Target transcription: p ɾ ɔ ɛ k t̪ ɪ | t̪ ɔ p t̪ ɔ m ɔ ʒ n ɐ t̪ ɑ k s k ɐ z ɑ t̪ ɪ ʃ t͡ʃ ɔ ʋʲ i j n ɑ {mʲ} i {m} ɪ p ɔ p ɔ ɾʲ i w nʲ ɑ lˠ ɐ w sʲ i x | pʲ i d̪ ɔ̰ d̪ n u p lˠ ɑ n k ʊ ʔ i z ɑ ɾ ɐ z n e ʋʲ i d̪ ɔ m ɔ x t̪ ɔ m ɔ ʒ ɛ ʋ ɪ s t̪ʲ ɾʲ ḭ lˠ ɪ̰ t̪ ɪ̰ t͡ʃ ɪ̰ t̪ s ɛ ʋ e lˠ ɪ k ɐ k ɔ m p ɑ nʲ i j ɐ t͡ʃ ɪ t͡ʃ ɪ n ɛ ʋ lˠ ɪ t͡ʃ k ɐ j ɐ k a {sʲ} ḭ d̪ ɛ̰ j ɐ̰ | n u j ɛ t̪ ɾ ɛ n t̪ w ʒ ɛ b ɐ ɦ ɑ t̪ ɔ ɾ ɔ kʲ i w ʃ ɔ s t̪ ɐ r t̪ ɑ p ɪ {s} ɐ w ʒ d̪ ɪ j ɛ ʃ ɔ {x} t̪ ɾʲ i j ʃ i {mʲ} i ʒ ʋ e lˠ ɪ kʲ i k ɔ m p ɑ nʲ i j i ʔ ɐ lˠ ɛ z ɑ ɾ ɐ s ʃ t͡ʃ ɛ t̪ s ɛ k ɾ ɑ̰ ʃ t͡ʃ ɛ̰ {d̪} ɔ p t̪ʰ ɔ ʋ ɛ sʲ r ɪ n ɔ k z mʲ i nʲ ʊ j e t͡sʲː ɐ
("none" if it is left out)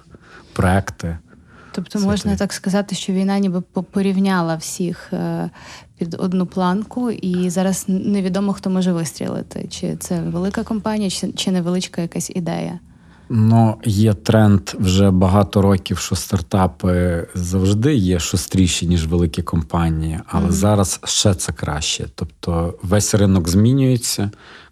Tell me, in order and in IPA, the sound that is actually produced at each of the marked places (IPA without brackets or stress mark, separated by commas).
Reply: nʲ, b, sʲ, z, s, nʲ, t̪